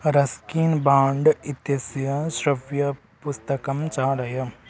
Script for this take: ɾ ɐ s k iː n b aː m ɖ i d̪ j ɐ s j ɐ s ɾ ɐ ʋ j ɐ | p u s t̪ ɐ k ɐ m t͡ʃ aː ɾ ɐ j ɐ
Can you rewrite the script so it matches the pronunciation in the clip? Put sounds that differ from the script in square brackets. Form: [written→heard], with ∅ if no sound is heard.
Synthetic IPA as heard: ɾ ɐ s k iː n b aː [m→ɳ] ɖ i [d̪→t̪] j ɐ s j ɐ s ɾ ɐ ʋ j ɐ | p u s t̪ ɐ k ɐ m t͡ʃ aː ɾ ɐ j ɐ